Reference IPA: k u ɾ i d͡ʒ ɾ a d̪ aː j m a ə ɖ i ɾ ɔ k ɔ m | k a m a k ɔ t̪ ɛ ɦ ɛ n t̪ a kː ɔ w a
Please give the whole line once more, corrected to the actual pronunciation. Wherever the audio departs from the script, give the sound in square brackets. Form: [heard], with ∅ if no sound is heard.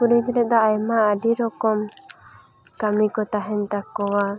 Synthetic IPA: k u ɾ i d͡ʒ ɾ [ɛ] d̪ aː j m a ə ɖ i ɾ ɔ k ɔ m | k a m [i] k ɔ t̪ [a] ɦ ɛ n t̪ a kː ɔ w a